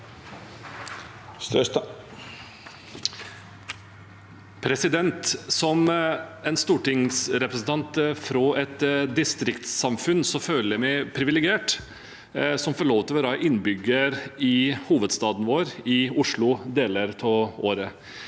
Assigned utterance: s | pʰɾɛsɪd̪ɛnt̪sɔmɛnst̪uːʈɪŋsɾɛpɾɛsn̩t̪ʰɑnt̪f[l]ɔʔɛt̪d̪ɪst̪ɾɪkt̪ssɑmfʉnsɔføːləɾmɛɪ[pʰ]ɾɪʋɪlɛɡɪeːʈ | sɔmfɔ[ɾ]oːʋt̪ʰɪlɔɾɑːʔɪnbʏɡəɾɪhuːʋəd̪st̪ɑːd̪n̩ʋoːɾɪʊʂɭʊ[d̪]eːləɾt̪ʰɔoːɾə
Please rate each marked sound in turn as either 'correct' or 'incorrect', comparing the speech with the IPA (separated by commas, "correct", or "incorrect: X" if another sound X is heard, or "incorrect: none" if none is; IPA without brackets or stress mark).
incorrect: ɾ, correct, incorrect: ɭ, correct